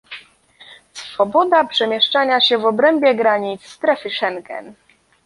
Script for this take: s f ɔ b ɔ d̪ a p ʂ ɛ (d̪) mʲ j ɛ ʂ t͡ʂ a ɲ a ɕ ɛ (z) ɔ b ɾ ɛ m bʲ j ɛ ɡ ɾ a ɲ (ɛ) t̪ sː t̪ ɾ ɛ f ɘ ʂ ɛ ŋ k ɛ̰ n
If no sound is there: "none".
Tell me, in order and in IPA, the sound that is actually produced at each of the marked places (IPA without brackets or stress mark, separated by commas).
none, v, i